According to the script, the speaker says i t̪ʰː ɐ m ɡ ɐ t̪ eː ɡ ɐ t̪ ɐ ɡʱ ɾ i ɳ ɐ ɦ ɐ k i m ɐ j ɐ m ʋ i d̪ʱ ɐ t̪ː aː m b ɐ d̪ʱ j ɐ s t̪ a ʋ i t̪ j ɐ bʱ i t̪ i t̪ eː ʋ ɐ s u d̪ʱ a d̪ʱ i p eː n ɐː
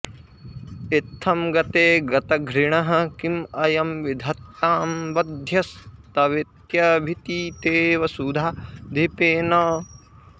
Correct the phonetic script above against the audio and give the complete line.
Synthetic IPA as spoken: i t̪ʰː ɐ m ɡ ɐ t̪ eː ɡ ɐ t̪ ɐ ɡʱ ɾ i ɳ ɐ ɦ ɐ k i m ɐ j ɐ m ʋ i d̪ʱ ɐ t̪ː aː m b ɐ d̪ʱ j ɐ s t̪ ɐ ʋ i t̪ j ɐ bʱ i t̪ i t̪ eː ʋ ɐ s u d̪ʱ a d̪ʱ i p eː n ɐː